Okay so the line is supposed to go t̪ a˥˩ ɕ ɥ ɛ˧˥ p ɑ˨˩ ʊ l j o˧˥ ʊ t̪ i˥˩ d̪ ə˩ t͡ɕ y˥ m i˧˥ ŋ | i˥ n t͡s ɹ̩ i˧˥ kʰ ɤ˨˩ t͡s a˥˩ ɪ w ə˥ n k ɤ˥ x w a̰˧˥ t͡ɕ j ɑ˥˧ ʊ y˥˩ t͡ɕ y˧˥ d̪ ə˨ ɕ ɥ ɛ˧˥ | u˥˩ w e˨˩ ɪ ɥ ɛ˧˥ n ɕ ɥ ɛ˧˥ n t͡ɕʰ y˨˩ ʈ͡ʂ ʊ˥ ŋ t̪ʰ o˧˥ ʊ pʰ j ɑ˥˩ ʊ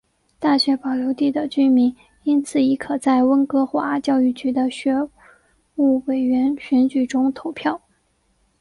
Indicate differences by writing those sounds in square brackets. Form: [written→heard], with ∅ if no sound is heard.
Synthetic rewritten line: t̪ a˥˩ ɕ ɥ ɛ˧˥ p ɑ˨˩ ʊ l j o˧˥ ʊ t̪ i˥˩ d̪ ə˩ t͡ɕ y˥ m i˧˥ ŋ | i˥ n [t͡s→t͡sʰ] ɹ̩ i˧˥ kʰ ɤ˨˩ t͡s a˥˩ ɪ w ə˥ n k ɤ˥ x w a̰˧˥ t͡ɕ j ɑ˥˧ ʊ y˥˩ t͡ɕ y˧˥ d̪ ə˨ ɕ ɥ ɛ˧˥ | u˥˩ w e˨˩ ɪ ɥ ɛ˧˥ n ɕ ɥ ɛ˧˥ n [t͡ɕʰ→t͡ɕ] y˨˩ ʈ͡ʂ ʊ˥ ŋ t̪ʰ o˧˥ ʊ pʰ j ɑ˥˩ ʊ